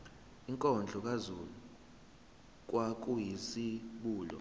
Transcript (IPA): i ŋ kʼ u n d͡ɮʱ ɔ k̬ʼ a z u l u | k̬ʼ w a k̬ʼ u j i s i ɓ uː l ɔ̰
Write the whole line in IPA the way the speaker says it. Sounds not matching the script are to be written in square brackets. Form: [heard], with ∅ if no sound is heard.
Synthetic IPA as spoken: i ŋ kʼ [ɔ] n d͡ɮʱ ɔ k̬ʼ a z u l u | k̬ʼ w a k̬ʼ u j i s i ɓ uː l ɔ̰